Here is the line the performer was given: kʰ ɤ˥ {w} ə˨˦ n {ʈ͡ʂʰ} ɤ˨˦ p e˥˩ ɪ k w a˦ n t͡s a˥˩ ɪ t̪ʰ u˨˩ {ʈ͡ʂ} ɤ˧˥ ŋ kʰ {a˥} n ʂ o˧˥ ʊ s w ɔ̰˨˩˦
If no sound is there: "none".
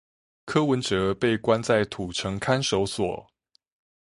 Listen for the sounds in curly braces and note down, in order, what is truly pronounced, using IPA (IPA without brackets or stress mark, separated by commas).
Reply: w, ʈ͡ʂ, ʈ͡ʂʰ, a˥